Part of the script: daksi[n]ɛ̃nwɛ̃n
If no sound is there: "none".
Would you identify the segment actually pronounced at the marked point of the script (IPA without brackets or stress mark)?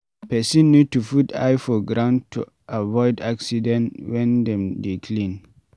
d